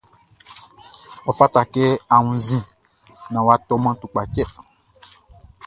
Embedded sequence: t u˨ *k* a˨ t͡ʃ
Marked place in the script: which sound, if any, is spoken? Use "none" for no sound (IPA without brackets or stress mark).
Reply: k͡p